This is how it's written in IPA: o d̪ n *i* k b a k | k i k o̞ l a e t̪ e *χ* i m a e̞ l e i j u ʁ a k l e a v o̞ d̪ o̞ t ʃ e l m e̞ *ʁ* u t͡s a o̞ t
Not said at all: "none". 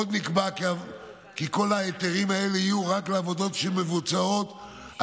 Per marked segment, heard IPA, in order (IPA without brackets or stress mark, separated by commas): i, ʁ, v